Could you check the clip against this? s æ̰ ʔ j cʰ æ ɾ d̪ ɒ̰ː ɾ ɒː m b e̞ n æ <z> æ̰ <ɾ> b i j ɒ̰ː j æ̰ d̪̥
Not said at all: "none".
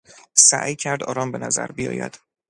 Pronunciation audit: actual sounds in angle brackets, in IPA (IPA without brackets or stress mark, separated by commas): z, ɾ